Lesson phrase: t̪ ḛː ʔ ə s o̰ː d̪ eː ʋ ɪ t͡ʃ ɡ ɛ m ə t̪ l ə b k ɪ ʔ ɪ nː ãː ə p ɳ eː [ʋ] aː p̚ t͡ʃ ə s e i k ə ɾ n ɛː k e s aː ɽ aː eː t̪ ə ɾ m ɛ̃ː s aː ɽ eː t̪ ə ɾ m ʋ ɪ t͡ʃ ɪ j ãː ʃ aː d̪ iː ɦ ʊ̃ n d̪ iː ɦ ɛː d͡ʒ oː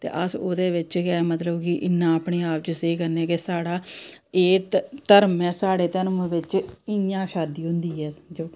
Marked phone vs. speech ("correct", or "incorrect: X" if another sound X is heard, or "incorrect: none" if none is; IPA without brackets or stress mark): incorrect: none